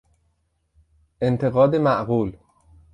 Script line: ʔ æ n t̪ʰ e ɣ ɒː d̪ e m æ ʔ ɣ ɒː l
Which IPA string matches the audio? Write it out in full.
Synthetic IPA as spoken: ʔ e n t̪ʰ e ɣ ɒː d̪ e m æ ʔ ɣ uː l